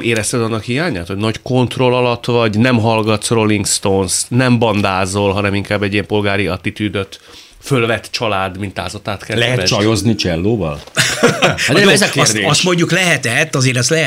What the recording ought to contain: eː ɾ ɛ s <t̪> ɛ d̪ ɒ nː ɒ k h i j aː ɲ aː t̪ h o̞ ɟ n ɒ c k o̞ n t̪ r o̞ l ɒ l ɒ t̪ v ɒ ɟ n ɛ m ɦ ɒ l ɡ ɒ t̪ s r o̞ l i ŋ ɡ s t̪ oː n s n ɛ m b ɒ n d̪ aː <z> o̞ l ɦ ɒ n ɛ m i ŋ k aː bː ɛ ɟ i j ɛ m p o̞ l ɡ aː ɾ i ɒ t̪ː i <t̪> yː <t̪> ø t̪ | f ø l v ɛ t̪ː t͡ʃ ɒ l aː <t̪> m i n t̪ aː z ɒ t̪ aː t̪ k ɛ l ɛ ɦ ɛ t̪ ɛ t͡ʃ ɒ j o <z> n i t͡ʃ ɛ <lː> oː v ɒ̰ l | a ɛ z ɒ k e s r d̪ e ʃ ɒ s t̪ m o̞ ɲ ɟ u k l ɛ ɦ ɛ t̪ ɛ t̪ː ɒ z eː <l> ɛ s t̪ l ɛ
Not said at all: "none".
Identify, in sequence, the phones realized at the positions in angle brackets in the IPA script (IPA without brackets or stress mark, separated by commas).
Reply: t̪, z, t̪, d̪, d̪, z, lː, ɾ